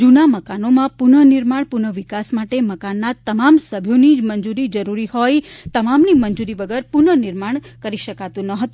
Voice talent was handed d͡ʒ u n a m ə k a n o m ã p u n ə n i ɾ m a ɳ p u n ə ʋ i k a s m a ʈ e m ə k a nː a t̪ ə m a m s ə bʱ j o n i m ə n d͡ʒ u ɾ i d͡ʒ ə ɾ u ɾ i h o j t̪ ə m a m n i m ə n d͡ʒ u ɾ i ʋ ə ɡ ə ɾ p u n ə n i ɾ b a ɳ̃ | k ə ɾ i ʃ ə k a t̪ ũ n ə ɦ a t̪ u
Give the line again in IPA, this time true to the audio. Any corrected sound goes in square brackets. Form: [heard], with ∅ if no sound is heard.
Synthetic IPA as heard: d͡ʒ u n a m ə k a n o m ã p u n ə n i ɾ m a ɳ p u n ə ʋ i k a s m a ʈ e m ə k a nː a t̪ ə m a m s ə bʱ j o n i m ə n d͡ʒ u ɾ i d͡ʒ ə ɾ u ɾ i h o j t̪ ə m a m n i m ə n d͡ʒ u ɾ i ʋ ə ɡ ə ɾ p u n ə n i ɾ [m] a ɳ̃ | k ə ɾ i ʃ ə k a t̪ ũ n ə ɦ [ə] t̪ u